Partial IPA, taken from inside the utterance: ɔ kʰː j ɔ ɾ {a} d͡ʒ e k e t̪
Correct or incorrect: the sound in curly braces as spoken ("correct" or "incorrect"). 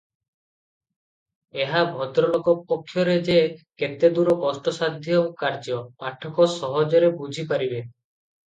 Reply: incorrect